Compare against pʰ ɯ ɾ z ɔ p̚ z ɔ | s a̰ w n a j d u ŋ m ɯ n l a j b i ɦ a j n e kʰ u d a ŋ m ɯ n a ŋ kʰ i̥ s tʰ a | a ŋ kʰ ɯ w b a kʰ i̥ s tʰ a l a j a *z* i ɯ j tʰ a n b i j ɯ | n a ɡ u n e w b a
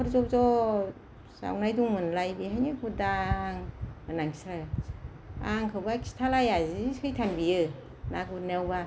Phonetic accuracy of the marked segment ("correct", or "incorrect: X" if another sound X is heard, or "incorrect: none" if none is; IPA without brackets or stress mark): correct